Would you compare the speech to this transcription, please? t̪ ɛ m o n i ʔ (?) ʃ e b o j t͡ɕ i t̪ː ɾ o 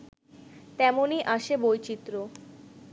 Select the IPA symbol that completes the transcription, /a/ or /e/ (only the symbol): a